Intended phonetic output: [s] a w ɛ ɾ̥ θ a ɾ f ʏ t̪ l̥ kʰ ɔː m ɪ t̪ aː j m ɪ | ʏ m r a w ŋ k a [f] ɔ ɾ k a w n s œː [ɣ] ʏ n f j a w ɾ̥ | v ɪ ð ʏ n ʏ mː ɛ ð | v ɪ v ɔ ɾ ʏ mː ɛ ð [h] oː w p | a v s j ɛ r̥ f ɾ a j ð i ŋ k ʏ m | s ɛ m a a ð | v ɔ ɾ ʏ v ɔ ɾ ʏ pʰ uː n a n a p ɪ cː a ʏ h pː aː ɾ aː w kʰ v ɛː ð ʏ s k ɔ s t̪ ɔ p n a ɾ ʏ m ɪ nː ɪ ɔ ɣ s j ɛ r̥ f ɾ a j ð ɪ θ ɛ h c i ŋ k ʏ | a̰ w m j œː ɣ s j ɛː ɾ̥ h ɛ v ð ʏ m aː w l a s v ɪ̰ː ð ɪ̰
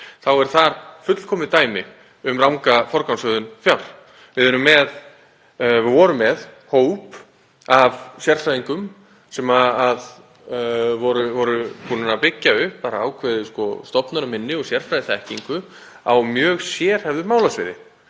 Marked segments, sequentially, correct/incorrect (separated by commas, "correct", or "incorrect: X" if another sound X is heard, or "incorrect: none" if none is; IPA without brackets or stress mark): incorrect: θ, correct, incorrect: ð, correct